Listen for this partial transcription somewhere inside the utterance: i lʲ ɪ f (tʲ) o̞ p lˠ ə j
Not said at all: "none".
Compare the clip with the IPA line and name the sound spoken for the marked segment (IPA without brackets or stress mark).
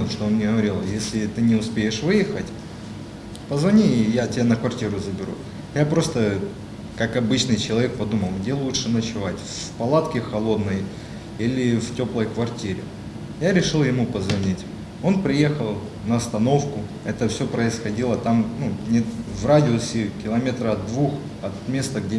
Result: tʲ